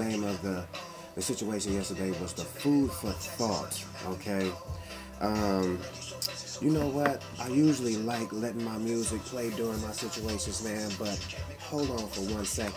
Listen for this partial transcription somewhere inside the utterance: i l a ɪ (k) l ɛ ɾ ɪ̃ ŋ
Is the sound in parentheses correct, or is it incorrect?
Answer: correct